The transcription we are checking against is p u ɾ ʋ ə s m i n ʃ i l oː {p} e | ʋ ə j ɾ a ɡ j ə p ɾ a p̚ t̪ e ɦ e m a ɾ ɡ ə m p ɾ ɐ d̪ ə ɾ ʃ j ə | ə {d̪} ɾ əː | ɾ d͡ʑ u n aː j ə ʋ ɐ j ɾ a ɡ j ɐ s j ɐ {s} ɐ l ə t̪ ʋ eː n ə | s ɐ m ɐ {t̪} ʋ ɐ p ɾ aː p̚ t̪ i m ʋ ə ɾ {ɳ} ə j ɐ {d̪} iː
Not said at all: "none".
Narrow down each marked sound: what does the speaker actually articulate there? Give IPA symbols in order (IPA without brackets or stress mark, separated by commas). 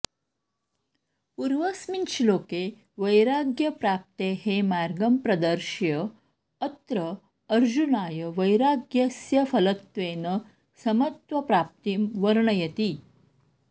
k, t̪, f, t̪, ɳ, t̪